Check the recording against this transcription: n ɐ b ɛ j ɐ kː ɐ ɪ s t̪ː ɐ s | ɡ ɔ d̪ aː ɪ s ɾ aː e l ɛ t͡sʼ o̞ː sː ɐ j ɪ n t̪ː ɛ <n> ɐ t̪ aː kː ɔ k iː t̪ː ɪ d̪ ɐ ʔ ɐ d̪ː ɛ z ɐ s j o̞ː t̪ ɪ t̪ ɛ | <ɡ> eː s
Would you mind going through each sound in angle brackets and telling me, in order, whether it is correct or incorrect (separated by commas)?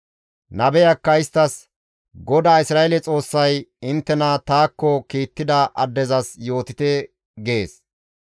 correct, correct